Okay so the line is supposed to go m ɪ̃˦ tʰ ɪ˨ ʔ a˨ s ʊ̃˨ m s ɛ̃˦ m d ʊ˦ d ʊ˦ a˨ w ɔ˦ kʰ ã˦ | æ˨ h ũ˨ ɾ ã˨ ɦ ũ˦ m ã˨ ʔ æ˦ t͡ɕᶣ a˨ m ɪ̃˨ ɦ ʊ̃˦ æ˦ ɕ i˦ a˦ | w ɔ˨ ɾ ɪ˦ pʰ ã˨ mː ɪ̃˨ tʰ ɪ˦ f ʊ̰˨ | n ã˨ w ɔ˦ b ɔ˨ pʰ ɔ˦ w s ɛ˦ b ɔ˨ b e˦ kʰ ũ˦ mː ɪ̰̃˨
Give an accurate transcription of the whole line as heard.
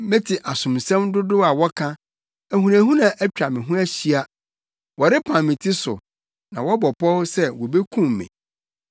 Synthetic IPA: m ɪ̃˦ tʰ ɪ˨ ʔ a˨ s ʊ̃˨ m s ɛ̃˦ m d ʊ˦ d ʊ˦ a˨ w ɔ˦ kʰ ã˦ | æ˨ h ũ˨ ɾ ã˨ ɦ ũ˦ n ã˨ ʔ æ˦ t͡ɕᶣ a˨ m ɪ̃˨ ɦ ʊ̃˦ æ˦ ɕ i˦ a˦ | w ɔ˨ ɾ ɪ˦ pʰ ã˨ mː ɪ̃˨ tʰ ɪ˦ s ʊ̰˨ | n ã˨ w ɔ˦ b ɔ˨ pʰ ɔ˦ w s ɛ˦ w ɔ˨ b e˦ kʰ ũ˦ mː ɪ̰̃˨